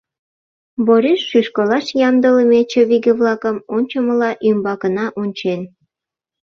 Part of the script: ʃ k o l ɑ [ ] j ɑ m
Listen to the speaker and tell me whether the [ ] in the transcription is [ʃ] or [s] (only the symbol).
ʃ